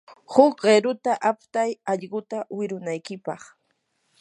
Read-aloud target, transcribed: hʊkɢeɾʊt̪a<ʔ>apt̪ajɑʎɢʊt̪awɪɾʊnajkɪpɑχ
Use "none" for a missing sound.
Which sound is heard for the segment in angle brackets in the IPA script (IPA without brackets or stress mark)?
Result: ʔ